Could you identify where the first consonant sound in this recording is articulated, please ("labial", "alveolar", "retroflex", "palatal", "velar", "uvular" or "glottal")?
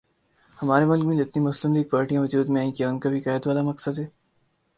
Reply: glottal